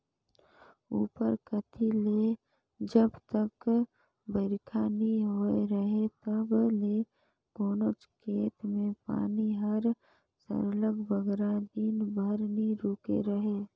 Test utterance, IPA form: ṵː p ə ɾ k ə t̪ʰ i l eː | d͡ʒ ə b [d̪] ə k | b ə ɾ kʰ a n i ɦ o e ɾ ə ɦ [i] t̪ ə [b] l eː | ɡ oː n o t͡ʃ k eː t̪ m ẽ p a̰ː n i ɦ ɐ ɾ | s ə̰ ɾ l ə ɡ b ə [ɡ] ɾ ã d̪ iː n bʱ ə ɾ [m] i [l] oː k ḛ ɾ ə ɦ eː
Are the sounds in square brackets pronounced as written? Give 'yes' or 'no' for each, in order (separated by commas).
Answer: no, no, yes, yes, no, no